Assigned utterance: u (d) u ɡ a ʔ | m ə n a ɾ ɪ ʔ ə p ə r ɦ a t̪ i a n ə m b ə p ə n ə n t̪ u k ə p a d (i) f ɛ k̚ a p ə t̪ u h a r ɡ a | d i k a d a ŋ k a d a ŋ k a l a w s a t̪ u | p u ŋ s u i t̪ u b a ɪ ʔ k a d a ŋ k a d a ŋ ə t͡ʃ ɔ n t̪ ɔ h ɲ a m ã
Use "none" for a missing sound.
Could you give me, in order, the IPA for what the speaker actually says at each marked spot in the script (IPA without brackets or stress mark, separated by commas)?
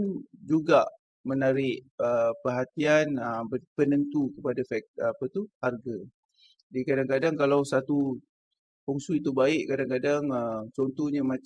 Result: d͡ʒ, a